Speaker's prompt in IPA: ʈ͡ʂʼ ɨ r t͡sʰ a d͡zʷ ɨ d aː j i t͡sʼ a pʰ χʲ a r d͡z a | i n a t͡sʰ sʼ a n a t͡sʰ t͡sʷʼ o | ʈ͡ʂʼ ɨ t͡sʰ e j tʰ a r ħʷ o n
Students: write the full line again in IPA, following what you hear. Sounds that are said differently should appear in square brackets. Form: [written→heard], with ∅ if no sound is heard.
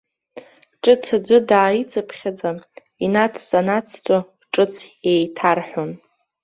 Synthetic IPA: ʈ͡ʂʼ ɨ [r→∅] t͡sʰ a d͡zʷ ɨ d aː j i t͡sʼ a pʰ χʲ a [r→∅] d͡z a | i n a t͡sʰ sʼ a n a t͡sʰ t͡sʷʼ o | ʈ͡ʂʼ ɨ t͡sʰ e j tʰ a r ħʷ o n